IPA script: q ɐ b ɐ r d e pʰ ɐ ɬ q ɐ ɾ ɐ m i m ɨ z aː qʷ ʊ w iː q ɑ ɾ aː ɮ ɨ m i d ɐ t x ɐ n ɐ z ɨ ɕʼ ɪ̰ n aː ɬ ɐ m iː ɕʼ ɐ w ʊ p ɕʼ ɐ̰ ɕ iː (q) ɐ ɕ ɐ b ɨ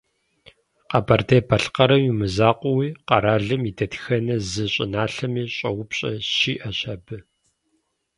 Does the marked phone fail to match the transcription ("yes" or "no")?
yes